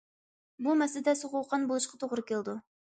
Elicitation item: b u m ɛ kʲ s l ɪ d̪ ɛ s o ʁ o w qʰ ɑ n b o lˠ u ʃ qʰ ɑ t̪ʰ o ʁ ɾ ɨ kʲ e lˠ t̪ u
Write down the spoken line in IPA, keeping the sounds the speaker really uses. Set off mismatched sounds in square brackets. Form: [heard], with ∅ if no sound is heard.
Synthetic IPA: b u m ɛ [∅] s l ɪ d̪ ɛ s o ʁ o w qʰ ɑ n b o lˠ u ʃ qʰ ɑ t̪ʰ o ʁ ɾ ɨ kʲ e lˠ [d̪] u